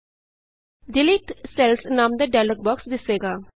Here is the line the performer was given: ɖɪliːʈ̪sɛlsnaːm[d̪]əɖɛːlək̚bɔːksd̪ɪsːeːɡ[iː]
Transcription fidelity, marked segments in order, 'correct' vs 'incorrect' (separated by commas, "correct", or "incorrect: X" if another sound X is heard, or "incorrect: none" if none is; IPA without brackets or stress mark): correct, incorrect: aː